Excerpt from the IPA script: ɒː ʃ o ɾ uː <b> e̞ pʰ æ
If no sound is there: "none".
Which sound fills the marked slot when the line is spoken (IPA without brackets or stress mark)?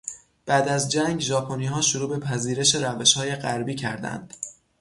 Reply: b